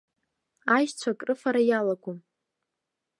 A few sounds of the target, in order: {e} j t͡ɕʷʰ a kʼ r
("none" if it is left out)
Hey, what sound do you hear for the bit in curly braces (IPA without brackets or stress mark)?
a